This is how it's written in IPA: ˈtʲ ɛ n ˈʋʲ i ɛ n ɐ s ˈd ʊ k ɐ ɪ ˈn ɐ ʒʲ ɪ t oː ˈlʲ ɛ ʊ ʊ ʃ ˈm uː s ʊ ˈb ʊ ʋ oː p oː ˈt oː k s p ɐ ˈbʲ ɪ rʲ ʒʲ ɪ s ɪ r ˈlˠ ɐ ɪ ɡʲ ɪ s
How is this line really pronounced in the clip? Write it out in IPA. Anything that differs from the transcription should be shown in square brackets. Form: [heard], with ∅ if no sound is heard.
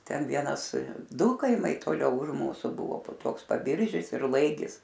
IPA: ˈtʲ ɛ n ˈʋʲ i ɛ n ɐ s ˈd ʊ k ɐ ɪ [ˈm] ɐ [∅] ɪ t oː ˈlʲ ɛ ʊ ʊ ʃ ˈm uː s ʊ ˈb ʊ ʋ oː p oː ˈt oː k s p ɐ ˈbʲ ɪ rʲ ʒʲ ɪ s ɪ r ˈlˠ ɐ ɪ ɡʲ ɪ s